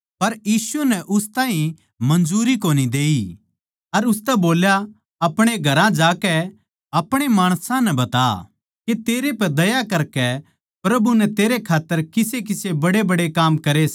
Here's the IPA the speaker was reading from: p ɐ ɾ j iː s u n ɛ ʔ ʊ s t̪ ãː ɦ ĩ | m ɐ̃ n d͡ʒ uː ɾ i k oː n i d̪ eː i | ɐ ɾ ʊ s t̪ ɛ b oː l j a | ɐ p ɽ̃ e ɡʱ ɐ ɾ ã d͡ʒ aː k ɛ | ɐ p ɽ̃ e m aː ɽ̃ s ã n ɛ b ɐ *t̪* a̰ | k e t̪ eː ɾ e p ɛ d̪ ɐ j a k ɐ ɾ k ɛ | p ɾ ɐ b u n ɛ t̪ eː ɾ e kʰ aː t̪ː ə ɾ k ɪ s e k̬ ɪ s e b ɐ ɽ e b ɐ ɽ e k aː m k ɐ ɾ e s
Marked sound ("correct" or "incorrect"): correct